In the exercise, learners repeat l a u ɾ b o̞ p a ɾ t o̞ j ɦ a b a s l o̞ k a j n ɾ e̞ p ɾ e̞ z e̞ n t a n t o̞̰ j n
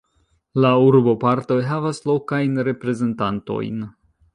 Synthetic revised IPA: l a u ɾ b o̞ p a ɾ t o̞ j ɦ a v a s l o̞ k a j n ɾ e̞ p ɾ e̞ z e̞ n t a n t o̞̰ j n